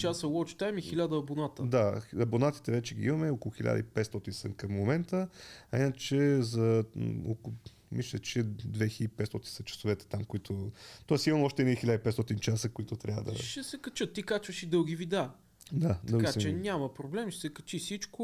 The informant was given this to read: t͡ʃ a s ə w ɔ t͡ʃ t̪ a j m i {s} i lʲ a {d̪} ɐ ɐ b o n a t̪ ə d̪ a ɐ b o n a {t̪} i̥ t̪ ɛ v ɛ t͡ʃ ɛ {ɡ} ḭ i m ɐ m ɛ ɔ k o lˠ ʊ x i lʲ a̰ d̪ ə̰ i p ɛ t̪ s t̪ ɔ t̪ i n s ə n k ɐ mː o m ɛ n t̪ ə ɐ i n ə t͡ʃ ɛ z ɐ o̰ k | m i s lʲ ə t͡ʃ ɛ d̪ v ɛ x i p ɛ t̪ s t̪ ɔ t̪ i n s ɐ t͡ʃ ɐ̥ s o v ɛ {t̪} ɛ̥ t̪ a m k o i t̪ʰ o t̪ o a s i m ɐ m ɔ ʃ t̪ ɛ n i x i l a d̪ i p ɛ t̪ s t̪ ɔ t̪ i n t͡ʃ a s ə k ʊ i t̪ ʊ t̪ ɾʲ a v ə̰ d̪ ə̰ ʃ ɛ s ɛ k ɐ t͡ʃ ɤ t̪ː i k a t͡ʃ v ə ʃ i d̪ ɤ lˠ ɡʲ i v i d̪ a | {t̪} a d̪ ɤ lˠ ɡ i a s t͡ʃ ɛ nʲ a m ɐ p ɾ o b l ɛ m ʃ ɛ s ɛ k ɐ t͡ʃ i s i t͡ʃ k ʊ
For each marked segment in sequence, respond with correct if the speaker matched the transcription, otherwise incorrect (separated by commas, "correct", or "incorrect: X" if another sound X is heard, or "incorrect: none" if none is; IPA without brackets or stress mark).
incorrect: x, correct, correct, correct, correct, incorrect: d̪